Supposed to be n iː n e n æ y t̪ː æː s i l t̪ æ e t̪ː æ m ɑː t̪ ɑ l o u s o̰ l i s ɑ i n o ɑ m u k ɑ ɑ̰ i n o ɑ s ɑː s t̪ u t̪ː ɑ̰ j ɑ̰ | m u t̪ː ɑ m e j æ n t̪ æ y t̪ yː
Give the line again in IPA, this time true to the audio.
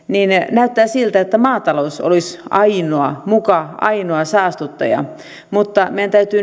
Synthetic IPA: n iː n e n æ y t̪ː æː s i l t̪ æ e t̪ː æ m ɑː t̪ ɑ l o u s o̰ l i s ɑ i n o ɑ m u k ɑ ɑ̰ i n o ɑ s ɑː s t̪ u t̪ː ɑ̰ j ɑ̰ | m u t̪ː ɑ m e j æ n t̪ æ y t̪ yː